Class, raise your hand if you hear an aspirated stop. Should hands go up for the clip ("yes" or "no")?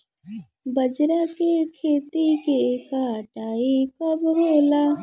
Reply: yes